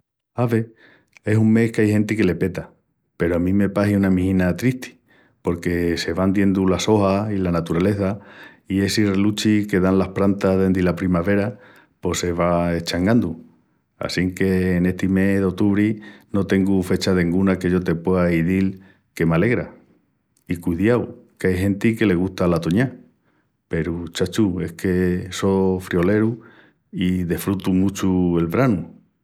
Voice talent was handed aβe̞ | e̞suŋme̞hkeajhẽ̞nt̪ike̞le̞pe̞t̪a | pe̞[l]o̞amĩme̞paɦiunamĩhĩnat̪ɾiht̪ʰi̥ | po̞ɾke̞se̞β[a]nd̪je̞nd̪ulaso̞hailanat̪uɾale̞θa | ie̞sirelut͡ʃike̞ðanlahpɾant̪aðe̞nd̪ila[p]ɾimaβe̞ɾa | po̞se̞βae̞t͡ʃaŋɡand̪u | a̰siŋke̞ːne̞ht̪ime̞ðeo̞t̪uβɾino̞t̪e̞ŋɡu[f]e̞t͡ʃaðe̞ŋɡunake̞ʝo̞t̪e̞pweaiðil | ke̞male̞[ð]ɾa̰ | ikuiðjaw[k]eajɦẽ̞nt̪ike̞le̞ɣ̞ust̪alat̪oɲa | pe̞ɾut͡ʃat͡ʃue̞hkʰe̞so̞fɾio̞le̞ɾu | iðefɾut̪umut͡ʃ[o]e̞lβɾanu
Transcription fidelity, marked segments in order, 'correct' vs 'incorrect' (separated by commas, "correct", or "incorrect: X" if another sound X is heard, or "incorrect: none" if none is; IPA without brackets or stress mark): incorrect: ɾ, correct, correct, correct, incorrect: ɣ, correct, incorrect: u